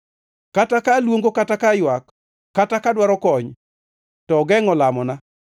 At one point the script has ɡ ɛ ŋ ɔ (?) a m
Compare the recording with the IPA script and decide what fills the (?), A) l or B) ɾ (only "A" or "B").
A